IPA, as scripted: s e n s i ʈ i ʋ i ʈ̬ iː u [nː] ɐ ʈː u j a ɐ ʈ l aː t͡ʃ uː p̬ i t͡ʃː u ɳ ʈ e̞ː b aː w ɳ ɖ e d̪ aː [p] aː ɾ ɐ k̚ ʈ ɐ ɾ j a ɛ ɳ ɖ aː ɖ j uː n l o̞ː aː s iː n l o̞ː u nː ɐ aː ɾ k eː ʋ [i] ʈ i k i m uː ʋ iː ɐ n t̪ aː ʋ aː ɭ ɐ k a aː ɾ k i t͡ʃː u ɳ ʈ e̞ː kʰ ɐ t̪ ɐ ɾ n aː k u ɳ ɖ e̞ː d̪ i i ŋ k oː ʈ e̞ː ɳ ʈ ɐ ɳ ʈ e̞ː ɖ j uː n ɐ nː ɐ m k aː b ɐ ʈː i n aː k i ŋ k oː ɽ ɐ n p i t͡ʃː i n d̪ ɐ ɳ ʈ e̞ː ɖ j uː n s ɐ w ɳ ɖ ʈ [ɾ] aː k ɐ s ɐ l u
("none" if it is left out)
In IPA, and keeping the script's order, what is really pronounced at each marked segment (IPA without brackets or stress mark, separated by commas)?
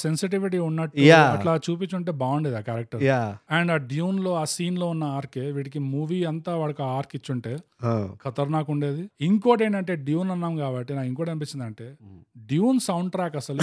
nː, k, iː, ɾ